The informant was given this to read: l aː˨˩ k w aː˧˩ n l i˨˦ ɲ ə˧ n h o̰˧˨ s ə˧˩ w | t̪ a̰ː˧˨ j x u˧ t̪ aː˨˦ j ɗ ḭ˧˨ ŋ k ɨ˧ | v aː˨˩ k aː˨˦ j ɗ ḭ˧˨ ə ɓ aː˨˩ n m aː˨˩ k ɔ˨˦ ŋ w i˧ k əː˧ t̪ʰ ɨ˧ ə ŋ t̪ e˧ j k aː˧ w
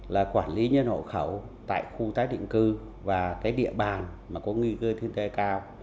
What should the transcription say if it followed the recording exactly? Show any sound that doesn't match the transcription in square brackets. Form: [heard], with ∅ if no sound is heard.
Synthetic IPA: l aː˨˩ k w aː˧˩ n l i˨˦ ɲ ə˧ n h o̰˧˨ [x] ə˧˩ w | t̪ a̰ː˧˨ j x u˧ t̪ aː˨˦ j ɗ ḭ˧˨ ŋ k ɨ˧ | v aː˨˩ k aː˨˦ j ɗ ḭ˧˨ ə ɓ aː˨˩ n m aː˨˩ k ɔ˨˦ ŋ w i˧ k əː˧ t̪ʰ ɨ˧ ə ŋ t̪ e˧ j k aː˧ w